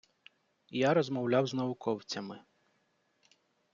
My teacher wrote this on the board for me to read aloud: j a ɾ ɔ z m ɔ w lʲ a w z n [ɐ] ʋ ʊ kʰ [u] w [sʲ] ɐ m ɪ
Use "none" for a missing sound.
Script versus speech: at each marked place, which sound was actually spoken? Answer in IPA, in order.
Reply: ɐ, ɔ, t͡sʲ

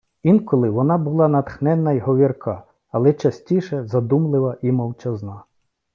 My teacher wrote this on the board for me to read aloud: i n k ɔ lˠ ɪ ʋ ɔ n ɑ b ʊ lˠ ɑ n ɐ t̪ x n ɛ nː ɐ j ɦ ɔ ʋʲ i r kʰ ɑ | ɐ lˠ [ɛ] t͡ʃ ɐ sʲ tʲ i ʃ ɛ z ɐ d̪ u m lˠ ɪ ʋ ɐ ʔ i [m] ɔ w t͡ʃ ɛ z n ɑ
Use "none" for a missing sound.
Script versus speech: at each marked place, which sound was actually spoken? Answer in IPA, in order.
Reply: ɛ, m

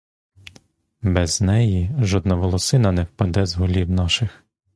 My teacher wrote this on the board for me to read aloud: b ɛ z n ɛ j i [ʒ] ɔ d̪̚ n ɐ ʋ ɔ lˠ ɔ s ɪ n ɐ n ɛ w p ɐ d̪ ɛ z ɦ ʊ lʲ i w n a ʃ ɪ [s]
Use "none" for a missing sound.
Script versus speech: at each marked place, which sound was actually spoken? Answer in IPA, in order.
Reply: ʒ, x

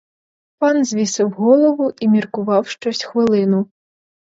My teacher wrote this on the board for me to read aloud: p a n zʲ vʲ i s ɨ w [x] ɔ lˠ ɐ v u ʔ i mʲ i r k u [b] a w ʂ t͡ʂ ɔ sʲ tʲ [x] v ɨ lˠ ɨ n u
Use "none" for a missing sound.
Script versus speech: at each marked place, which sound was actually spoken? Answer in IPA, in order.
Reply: ɣ, v, x

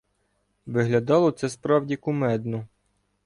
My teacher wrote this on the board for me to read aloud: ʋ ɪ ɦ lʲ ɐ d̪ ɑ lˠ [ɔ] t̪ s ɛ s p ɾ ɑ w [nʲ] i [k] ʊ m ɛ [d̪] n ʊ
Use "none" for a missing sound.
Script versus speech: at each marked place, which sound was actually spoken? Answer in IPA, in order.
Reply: ɔ, dʲ, k, d̪

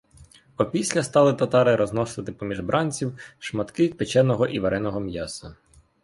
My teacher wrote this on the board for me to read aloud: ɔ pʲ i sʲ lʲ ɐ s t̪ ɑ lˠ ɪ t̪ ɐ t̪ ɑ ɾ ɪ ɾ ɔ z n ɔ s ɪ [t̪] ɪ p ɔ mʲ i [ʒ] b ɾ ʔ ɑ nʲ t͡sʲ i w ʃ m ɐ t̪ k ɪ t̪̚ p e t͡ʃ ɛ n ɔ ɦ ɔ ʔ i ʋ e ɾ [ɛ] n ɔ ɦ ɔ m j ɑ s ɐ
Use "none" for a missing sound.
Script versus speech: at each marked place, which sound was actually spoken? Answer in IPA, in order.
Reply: t̪, ʒ, ɛ

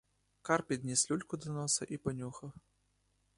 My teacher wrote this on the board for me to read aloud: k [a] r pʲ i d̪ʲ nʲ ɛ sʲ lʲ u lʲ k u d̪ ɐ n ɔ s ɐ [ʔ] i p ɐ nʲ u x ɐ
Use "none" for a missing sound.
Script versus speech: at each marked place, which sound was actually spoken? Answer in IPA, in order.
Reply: a, ʔ

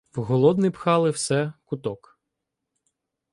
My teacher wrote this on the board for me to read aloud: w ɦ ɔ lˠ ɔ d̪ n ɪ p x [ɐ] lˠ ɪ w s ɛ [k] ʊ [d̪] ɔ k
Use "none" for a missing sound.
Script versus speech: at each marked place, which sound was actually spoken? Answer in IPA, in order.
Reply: ɑ, k, t̪

